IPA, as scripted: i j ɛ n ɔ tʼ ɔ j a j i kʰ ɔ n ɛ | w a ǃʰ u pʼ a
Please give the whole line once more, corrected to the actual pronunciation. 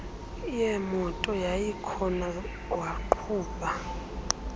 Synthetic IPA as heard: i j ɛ m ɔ tʼ ɔ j a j i kʰ ɔ n a | w a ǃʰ uː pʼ a